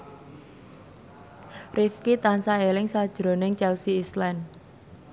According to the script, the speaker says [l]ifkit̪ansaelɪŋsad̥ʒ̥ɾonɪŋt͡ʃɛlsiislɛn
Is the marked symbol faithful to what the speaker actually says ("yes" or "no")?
no